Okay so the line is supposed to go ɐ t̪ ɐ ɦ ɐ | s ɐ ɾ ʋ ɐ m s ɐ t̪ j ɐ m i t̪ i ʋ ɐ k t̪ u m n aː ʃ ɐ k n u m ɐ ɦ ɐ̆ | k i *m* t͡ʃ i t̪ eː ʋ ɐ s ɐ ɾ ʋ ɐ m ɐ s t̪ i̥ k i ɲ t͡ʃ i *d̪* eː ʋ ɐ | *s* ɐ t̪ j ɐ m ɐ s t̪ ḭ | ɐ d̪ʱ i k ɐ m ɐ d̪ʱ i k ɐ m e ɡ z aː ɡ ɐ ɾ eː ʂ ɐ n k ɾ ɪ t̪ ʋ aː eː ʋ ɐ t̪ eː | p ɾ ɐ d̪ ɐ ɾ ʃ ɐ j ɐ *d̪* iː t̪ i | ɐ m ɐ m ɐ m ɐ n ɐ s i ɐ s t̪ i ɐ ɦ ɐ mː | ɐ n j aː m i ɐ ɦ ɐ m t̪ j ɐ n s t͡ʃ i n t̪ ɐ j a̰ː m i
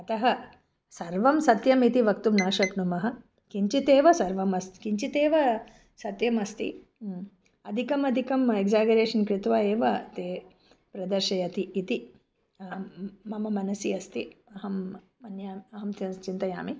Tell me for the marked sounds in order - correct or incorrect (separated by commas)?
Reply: incorrect, incorrect, correct, incorrect